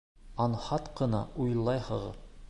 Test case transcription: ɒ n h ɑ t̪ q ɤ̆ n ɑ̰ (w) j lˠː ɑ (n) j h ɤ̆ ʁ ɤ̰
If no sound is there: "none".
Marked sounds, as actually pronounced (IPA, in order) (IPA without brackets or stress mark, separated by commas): u, none